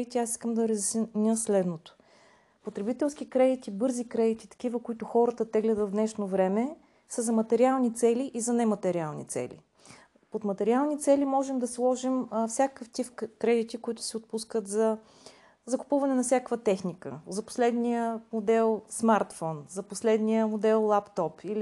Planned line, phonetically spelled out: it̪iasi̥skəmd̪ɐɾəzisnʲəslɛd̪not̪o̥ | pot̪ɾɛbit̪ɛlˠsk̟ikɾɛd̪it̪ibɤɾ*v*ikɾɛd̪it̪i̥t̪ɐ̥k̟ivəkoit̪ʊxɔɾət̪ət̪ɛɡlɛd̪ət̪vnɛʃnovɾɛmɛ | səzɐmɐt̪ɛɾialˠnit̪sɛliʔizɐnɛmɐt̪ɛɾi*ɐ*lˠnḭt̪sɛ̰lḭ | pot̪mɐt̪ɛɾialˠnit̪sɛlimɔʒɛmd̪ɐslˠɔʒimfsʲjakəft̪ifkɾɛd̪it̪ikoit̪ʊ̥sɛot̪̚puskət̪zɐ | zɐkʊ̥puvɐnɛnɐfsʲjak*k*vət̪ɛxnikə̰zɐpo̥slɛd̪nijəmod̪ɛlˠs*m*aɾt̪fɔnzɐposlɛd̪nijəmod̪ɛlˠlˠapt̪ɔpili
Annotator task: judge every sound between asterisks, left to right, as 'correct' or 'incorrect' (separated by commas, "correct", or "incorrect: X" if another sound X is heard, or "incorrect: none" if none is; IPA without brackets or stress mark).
incorrect: z, incorrect: a, correct, correct